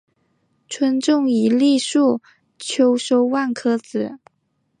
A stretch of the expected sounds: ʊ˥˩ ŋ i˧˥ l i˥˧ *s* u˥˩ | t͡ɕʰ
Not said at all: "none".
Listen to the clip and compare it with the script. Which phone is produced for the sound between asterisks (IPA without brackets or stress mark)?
ʂ